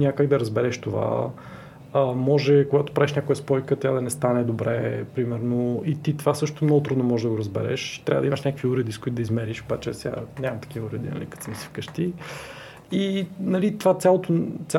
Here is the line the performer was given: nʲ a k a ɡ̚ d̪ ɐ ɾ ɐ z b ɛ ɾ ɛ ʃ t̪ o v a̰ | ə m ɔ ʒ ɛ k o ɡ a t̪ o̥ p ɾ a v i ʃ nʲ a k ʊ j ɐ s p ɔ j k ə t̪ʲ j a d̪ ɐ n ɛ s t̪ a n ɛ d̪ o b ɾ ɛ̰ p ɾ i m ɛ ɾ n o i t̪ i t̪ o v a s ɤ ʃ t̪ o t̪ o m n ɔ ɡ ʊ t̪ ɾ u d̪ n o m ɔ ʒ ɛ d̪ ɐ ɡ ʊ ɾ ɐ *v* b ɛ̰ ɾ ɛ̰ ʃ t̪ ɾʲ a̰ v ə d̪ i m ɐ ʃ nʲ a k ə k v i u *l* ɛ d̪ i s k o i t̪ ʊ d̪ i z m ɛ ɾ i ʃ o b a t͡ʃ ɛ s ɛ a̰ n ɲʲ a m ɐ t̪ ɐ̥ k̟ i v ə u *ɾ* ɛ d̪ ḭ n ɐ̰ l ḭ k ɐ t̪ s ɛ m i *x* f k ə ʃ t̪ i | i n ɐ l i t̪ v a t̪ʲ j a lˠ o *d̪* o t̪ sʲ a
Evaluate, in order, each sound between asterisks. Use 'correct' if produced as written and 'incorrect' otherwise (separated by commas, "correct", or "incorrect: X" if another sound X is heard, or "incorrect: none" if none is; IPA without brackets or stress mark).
incorrect: z, incorrect: ɾ, correct, incorrect: s, incorrect: t̪